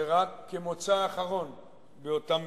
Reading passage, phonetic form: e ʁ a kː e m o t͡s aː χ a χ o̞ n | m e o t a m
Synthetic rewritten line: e ʁ a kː e m o t͡s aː χ a ʁ o̞ n | b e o t a m